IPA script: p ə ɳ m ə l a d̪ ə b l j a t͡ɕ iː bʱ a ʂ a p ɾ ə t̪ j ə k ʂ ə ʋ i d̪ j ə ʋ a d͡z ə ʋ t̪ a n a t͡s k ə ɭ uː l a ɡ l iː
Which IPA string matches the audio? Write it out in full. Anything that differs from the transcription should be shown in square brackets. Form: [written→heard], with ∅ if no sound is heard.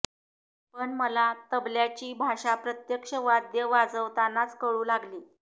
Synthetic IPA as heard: p ə ɳ m ə l a [d̪→t̪] ə b l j a t͡ɕ iː bʱ a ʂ a p ɾ ə t̪ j ə k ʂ ə ʋ [i→a] d̪ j ə ʋ a d͡z ə ʋ t̪ a n a t͡s k ə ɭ uː l a ɡ l iː

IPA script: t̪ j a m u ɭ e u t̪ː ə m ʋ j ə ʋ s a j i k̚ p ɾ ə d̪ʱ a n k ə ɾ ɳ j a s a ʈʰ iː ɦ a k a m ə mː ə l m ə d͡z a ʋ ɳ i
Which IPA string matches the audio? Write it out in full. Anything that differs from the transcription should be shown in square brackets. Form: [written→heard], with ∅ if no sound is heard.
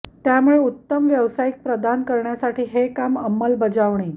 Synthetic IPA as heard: t̪ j a m u ɭ e u t̪ː ə m ʋ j ə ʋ s a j i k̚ p ɾ ə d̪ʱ a n k ə ɾ ɳ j a s a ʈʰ iː ɦ [a→e] k a m ə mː ə l [m→b] ə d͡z a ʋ ɳ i

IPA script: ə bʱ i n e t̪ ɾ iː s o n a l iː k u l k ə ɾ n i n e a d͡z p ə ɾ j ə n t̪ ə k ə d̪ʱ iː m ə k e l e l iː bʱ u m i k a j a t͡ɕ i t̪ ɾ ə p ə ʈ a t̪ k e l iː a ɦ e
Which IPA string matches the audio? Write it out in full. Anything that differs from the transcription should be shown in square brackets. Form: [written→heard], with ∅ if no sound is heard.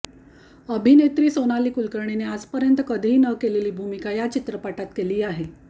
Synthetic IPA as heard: ə bʱ i n e t̪ ɾ iː s o n a l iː k u l k ə ɾ [n→ɳ] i n e a d͡z p ə ɾ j ə n t̪ ə k ə d̪ʱ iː [m→n] ə k e l e l iː bʱ u m i k a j a t͡ɕ i t̪ ɾ ə p [ə→a] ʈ a t̪ k e l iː a ɦ e

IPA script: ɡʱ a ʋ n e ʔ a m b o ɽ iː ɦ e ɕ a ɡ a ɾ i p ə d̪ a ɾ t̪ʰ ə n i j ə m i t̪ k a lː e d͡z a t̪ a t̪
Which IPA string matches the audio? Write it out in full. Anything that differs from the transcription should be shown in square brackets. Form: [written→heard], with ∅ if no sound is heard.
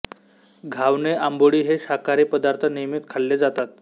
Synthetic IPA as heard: ɡʱ a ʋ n e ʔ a m b o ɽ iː ɦ e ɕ a [ɡ→k] a ɾ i p ə d̪ a ɾ t̪ʰ ə n i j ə m i t̪ [k→kʰ] a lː e d͡z a t̪ a t̪

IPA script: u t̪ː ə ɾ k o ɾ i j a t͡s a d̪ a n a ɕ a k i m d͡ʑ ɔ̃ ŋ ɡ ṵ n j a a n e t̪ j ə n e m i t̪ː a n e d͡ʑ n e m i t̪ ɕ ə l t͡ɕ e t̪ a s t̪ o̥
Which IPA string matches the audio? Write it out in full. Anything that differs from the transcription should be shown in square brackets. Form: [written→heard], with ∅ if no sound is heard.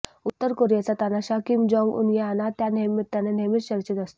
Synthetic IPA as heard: u t̪ː ə ɾ k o ɾ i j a t͡s a [d̪→t̪] a n a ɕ a k i m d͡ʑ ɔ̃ ŋ ɡ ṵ n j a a n [e→a] t̪ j [ə→a] n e m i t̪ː a n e [d͡ʑ→∅] n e m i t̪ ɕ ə [l→ɾ] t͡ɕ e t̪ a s t̪ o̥

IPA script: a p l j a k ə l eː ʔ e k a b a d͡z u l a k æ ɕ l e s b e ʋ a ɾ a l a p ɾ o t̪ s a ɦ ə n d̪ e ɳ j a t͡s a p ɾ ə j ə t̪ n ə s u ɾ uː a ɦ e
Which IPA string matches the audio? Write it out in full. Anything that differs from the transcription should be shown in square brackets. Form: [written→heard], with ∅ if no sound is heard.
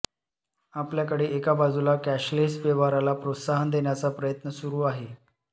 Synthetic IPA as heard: a p l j a k ə [l→ɽ] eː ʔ e k a b a d͡z u l a k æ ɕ l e s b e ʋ a ɾ a l a p ɾ o t̪ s a ɦ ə n d̪ e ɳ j a t͡s a p ɾ ə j ə t̪ n ə s u ɾ uː a ɦ e

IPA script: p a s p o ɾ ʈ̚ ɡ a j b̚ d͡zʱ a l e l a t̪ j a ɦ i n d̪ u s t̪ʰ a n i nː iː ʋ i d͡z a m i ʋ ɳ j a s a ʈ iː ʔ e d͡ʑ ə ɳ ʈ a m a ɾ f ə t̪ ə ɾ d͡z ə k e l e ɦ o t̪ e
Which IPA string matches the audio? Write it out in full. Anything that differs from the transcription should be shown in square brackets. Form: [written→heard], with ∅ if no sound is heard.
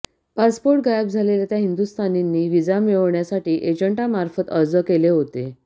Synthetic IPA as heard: p a s p o ɾ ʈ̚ ɡ a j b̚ d͡zʱ a l e l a t̪ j a ɦ i n d̪ u s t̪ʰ a n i nː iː ʋ i d͡z a m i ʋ ɳ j a s a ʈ iː ʔ e d͡ʑ ə ɳ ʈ a m a ɾ f ə t̪ ə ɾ d͡z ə k e l e ɦ o t̪ e

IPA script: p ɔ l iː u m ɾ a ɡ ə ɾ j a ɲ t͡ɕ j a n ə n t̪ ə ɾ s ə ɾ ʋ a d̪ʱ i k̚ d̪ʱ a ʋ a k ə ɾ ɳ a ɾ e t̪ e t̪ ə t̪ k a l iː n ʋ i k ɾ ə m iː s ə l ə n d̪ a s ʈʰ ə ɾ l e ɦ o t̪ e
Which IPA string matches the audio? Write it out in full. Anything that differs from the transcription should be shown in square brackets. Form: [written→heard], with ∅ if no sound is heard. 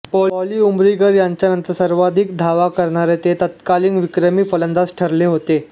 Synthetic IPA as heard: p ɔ l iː u m ɾ [a→i] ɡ ə ɾ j a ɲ t͡ɕ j a n ə n t̪ ə ɾ s ə ɾ ʋ a d̪ʱ i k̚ d̪ʱ a ʋ a k ə ɾ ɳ a ɾ e t̪ e t̪ ə t̪ k a l iː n ʋ i k ɾ ə m iː [s→f] ə l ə n d̪ a s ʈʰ ə ɾ l e ɦ o t̪ e

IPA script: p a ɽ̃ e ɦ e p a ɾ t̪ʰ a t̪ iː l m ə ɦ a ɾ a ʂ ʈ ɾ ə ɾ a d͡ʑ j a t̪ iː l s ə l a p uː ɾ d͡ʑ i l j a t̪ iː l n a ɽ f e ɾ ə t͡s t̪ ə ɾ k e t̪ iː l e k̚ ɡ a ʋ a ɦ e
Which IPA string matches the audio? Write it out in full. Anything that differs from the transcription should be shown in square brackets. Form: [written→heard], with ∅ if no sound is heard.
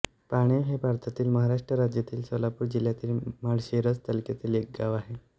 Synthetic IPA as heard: p a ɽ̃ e ɦ e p a ɾ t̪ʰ a t̪ iː l m ə ɦ a ɾ a ʂ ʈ ɾ ə ɾ a d͡ʑ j a t̪ iː l s ə l a p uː ɾ d͡ʑ i l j a t̪ iː l [n→m] a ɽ [f→ɕ] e ɾ ə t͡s t̪ ə [ɾ→l] k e t̪ iː l e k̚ ɡ a ʋ a ɦ e

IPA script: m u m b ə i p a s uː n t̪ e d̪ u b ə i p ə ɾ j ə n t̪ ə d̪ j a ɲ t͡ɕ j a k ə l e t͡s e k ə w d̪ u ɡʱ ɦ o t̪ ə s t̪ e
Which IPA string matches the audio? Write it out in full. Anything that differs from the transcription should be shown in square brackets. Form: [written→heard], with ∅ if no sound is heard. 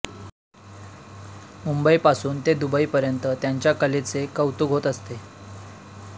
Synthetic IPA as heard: m u m b ə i p a s uː n t̪ e d̪ u b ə i p ə ɾ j ə n t̪ ə [d̪→t̪] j a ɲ t͡ɕ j a k ə l e t͡s e k ə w [d̪→t̪] u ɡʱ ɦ o t̪ ə s t̪ e

